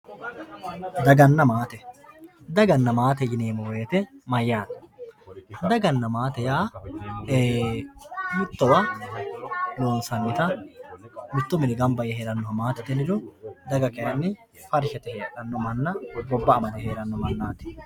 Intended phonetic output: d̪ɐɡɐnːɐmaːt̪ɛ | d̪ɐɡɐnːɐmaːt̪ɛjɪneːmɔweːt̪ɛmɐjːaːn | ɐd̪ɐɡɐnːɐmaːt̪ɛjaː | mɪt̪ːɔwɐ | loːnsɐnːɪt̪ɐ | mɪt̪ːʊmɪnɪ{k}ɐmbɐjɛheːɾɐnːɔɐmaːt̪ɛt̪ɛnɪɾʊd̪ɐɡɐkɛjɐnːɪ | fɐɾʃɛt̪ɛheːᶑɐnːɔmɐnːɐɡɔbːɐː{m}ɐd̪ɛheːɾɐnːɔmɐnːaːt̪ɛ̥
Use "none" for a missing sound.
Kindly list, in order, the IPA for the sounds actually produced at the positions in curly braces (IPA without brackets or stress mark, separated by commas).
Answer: ɡ, m